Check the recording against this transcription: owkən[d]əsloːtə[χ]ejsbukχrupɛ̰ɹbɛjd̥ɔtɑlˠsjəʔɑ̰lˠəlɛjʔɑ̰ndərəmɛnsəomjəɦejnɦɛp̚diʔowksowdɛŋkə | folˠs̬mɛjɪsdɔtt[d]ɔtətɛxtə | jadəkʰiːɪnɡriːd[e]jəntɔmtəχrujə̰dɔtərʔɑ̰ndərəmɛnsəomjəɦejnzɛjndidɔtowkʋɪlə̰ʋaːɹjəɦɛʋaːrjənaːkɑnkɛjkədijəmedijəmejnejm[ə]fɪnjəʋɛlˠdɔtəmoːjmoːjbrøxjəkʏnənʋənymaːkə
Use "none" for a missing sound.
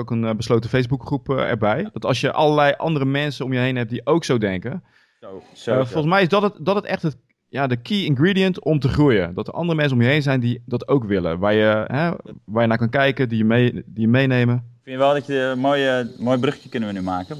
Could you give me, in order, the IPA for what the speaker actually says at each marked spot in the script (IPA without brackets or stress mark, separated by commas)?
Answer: b, f, d, i, ə